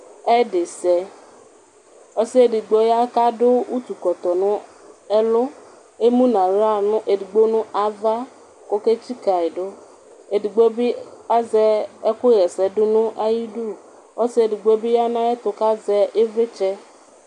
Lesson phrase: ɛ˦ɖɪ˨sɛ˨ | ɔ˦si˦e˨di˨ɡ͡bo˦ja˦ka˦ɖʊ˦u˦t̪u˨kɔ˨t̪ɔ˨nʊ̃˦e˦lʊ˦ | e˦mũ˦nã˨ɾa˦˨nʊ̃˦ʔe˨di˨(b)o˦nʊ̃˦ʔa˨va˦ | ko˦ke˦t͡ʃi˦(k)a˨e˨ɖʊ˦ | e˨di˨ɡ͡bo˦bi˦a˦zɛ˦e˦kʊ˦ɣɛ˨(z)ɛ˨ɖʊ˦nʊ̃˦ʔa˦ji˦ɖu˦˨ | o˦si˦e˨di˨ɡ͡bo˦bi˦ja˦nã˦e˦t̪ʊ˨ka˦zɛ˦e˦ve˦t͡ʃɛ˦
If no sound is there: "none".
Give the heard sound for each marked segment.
ɡ͡b, k, s

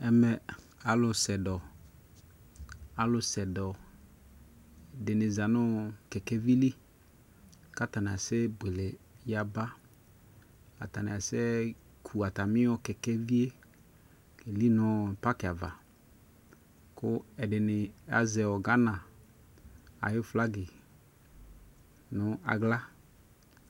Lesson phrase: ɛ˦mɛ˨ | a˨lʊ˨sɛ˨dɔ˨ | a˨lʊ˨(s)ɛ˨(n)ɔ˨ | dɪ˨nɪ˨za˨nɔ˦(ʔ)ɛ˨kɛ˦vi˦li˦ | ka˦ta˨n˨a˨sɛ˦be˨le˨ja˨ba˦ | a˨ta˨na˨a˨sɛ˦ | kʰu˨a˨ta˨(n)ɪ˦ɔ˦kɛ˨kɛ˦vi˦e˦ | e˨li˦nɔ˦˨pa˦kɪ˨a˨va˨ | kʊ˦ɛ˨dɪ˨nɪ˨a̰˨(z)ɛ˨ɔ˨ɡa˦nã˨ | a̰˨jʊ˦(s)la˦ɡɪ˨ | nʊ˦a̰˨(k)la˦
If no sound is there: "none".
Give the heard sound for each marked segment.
s, d, k, m, z, f, ɡ

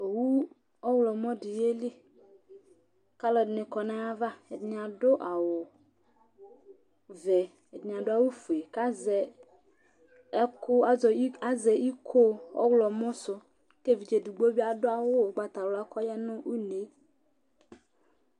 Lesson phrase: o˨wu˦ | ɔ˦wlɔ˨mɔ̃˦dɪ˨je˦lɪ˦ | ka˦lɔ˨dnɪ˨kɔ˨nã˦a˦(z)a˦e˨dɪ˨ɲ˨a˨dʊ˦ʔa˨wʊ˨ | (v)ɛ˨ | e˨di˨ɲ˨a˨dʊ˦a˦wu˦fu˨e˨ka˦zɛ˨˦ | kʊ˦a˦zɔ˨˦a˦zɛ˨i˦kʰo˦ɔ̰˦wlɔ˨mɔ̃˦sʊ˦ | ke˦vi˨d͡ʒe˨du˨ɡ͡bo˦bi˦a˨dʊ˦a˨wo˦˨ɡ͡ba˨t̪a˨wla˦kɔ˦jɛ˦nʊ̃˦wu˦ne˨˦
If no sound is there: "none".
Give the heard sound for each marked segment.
v, v

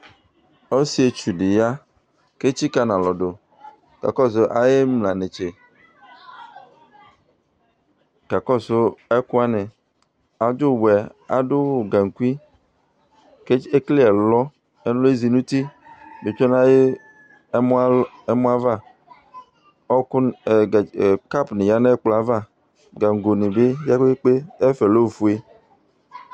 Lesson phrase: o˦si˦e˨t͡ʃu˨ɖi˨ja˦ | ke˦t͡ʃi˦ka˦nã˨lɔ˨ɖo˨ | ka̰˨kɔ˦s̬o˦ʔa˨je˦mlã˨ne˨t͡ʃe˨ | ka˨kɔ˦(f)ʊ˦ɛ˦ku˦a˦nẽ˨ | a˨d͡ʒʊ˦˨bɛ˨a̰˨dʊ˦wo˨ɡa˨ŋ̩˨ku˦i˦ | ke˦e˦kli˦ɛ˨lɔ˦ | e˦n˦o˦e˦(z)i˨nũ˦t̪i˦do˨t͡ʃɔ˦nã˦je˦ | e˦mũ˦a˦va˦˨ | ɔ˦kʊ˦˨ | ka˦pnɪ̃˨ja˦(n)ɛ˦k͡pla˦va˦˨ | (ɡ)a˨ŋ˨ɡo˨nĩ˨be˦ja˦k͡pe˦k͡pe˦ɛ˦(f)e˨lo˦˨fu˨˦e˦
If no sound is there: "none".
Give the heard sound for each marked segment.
s, z, n, ɡ, f

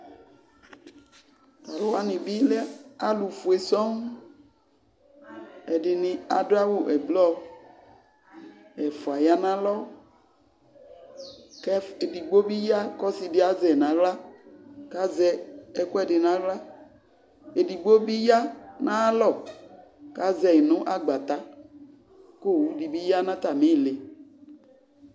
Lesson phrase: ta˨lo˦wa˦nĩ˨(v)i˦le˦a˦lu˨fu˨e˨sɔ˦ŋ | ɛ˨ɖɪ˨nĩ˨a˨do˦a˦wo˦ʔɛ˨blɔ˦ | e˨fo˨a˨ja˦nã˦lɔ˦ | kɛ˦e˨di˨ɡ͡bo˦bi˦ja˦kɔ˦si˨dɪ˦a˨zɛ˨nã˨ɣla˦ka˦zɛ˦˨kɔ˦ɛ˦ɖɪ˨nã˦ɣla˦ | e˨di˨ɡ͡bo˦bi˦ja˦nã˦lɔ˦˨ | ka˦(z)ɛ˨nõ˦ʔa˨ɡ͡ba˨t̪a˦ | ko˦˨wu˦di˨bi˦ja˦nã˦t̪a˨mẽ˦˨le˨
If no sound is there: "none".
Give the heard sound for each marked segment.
b, z

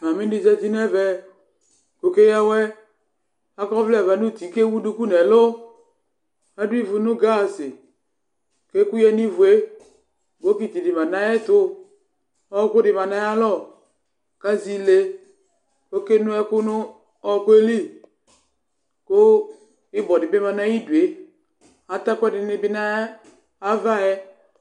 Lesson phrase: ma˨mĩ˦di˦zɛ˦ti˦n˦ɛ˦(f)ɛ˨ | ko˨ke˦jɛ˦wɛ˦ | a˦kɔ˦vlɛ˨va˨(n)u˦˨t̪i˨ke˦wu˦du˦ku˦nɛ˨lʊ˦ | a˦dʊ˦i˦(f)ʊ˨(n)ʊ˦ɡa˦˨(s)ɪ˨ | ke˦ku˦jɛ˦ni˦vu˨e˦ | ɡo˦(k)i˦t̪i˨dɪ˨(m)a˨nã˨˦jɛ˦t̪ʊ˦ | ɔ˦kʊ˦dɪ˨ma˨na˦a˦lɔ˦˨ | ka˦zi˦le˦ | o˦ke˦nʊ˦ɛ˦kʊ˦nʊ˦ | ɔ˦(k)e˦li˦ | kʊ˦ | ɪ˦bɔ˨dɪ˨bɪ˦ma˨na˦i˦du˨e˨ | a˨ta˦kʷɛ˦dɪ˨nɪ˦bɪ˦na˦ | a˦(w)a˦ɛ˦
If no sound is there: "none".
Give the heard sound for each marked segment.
v, n, v, n, s, k, m, k, v

